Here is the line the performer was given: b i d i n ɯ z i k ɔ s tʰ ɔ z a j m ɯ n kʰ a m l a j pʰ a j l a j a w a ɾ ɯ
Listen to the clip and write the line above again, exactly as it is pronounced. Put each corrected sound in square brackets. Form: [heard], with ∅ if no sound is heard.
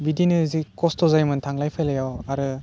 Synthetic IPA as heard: b i d i n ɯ z i k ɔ s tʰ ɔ z a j m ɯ n [tʰ] a [ŋ] l a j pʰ a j l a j a w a ɾ ɯ